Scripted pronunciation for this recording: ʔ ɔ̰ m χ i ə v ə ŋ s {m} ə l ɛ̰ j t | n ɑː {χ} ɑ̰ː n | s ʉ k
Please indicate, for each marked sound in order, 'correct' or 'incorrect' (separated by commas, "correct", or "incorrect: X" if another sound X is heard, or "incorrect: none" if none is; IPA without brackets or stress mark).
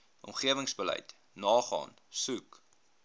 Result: incorrect: b, correct